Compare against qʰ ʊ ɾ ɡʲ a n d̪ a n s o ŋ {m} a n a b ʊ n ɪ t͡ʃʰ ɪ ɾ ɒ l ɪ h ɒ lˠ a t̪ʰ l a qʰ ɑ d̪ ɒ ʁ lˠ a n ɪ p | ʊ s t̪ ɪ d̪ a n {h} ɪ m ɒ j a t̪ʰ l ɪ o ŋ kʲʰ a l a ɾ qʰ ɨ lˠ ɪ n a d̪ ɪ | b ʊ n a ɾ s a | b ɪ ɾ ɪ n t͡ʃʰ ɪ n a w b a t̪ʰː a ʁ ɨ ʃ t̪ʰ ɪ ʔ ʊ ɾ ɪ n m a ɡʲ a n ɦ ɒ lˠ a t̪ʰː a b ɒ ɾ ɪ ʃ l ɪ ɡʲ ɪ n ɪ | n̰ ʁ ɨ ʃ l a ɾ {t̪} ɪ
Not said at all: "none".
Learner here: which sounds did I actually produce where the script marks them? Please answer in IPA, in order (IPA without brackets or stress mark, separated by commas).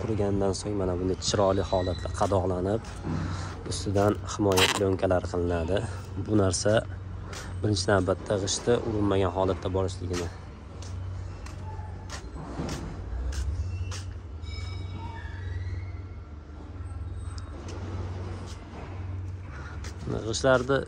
m, h, d̪